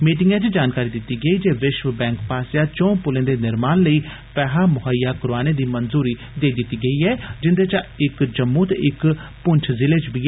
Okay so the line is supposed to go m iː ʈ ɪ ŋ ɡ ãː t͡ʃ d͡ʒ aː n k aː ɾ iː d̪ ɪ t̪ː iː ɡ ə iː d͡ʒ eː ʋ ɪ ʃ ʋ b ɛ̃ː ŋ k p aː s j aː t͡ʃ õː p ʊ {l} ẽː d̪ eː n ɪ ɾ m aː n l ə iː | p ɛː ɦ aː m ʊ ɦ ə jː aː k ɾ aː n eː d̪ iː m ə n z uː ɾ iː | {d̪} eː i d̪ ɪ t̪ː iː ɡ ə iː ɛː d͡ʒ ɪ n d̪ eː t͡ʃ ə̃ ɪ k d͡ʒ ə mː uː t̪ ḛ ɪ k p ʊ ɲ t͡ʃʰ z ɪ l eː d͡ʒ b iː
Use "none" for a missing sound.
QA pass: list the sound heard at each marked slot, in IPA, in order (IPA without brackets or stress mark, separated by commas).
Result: l, d̪